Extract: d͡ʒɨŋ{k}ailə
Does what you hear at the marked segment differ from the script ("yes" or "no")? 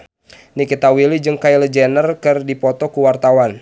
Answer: no